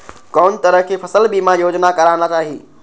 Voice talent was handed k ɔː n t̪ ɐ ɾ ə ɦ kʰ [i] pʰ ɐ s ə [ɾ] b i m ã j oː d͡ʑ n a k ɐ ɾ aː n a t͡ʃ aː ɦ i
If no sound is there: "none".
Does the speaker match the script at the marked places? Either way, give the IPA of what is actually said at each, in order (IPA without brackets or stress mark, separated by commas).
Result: e, l